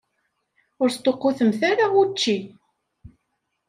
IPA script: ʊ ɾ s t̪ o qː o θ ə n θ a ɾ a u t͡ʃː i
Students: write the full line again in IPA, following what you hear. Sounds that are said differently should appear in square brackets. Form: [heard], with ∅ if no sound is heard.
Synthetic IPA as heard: ʊ ɾ s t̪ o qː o θ ə [m] θ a ɾ a u t͡ʃː i